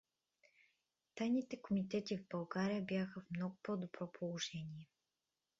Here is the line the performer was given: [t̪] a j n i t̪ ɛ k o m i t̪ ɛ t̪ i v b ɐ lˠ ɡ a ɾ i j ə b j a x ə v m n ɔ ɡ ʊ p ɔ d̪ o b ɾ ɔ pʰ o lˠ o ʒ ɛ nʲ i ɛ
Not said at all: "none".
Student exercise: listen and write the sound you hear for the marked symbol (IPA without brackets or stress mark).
t̪